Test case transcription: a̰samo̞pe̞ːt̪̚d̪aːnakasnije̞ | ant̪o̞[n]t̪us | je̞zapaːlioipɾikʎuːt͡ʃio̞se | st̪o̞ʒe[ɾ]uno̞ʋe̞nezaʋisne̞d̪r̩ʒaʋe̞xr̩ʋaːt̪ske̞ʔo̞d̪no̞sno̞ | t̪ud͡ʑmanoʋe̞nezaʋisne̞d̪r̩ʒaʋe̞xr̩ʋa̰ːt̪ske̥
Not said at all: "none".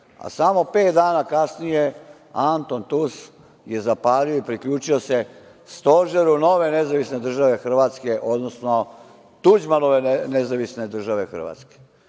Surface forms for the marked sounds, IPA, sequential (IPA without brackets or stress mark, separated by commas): n, ɾ